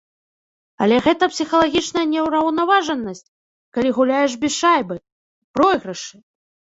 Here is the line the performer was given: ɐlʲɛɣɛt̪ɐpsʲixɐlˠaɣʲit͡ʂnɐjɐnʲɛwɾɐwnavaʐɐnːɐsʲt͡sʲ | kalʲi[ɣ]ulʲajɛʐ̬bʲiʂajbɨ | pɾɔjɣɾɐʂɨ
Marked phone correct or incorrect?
correct